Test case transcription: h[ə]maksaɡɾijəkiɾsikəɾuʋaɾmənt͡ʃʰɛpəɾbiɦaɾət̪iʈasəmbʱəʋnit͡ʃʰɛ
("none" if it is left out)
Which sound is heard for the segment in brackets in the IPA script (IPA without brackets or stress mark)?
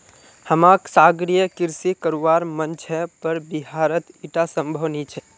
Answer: ə